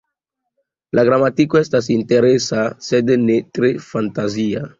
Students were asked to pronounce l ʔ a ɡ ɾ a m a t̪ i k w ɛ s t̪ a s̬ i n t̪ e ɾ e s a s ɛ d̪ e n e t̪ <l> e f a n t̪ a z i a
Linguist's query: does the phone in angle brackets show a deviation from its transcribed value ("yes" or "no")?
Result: yes